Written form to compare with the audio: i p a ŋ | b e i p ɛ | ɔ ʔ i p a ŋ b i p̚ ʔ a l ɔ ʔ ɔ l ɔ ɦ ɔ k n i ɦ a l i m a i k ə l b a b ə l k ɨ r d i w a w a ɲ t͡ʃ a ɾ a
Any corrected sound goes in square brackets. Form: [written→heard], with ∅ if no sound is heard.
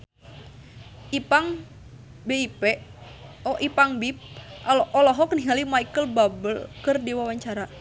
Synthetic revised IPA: i p a ŋ | b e i p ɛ | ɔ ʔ i p a ŋ b i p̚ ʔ a l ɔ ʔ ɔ l ɔ ɦ ɔ k n i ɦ a l i m a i k ə l b a b ə l k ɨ r d i w a w a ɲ t͡ʃ a ɾ a

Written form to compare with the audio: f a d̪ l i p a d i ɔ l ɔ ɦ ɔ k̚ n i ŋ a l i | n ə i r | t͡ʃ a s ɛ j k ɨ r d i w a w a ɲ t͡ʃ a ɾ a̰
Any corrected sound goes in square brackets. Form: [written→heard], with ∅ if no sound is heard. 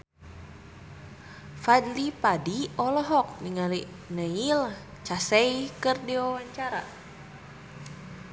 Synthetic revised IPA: f a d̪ l i p a d i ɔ l ɔ ɦ ɔ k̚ n i ŋ a l i | n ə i [r→l] | t͡ʃ a s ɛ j k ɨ r d i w a w a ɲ t͡ʃ a ɾ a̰

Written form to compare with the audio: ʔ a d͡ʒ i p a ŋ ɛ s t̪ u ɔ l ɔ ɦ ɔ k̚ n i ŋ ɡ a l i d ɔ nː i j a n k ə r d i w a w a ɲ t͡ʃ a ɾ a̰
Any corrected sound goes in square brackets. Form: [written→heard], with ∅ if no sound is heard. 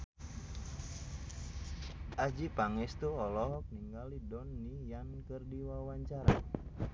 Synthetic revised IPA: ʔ a d͡ʒ i p a ŋ ɛ s t̪ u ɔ l ɔ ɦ ɔ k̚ n i ŋ ɡ a l i d ɔ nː i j a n k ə r d i w a w a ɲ t͡ʃ a ɾ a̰

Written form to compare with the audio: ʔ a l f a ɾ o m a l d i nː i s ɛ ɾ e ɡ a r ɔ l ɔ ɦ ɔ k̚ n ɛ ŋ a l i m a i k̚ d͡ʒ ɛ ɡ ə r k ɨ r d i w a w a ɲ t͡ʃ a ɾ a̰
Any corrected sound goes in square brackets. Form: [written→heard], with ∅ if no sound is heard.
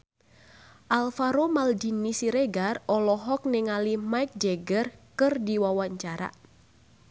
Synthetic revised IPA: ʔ a l f a ɾ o m a l d i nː i s [ɛ→i] ɾ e ɡ a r ɔ l ɔ ɦ ɔ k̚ n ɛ ŋ a l i m a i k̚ d͡ʒ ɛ ɡ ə r k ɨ r d i w a w a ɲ t͡ʃ a ɾ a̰

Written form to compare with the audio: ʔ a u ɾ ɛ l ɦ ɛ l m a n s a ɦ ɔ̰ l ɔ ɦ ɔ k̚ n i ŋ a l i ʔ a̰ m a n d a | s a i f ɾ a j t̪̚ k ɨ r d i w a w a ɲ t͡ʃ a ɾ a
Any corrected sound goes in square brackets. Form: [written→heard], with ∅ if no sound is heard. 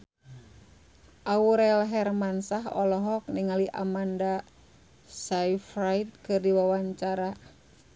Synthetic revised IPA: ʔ a u ɾ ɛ l ɦ ɛ [l→r] m a n s a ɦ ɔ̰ l ɔ ɦ ɔ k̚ n i ŋ a l i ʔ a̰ m a n d a | s a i f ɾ a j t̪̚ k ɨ r d i w a w a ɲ t͡ʃ a ɾ a

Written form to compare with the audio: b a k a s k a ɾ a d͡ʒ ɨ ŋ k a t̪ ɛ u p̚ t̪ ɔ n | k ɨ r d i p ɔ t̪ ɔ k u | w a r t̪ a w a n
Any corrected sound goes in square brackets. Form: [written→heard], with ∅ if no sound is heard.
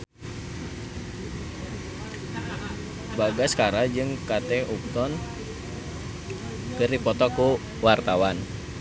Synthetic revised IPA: b a [k→ɡ] a s k a ɾ a d͡ʒ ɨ ŋ k a t̪ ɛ u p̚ t̪ ɔ n | k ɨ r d i p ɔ t̪ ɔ k u | w a r t̪ a w a n

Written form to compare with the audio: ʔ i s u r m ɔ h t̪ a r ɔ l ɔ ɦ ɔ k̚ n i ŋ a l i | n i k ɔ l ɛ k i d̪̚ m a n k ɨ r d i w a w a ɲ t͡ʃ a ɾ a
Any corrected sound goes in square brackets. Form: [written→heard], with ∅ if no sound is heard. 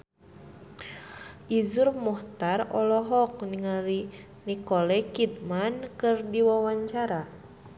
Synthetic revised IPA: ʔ i [s→z] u r m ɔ h t̪ a r ɔ l ɔ ɦ ɔ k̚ n i ŋ a l i | n i k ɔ l ɛ k i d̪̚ m a n k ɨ r d i w a w a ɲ t͡ʃ a ɾ a

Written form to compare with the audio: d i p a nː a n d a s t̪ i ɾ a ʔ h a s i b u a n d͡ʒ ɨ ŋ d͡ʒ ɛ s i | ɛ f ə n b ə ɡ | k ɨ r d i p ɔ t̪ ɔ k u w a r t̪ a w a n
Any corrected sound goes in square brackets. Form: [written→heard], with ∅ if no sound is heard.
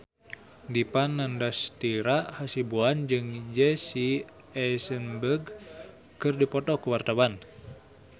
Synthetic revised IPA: d i p a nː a n d a s t̪ i ɾ a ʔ h a s i b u a n d͡ʒ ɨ ŋ d͡ʒ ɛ s i | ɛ [f→s] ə n b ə ɡ | k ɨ r d i p ɔ t̪ ɔ k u w a r t̪ a w a n

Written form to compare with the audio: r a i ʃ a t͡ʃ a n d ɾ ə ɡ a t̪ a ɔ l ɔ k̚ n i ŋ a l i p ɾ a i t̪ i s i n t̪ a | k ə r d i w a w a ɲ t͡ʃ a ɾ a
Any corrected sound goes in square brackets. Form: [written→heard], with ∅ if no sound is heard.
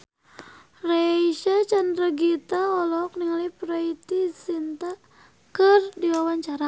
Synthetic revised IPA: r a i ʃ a t͡ʃ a n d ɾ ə ɡ [a→i] t̪ a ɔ l ɔ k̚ n i ŋ a l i p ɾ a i t̪ i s i n t̪ a | k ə r d i w a w a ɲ t͡ʃ a ɾ a

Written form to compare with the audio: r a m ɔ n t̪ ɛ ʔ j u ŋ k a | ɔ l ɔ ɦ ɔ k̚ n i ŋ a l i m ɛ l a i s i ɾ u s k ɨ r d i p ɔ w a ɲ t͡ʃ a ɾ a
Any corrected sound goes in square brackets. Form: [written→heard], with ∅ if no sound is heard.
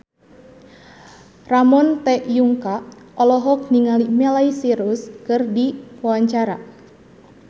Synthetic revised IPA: r a m ɔ n t̪ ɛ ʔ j u ŋ k a | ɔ l ɔ ɦ ɔ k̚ n i ŋ a l i m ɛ l a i s i ɾ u s k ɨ r d i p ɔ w a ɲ t͡ʃ a ɾ a

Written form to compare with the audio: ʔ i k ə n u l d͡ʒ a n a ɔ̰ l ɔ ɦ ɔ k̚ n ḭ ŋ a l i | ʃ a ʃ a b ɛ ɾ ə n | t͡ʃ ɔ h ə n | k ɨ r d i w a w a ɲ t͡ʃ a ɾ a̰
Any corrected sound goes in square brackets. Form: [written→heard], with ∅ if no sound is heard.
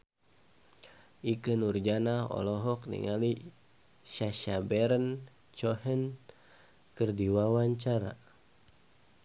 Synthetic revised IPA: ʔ i k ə n u [l→r] d͡ʒ a n a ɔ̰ l ɔ ɦ ɔ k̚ n ḭ ŋ a l i | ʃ a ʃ a b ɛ ɾ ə n | t͡ʃ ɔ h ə n | k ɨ r d i w a w a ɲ t͡ʃ a ɾ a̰

